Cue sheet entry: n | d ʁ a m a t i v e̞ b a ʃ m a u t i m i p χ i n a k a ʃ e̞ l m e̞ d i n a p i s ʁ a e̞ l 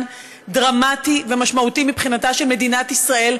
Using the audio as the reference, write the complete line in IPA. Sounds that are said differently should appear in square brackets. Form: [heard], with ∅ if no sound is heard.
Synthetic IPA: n | d ʁ a m a t i v e̞ [m] a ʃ m a u t i m i p χ i n a [t] a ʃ e̞ l m e̞ d i n a [t] i s ʁ a e̞ l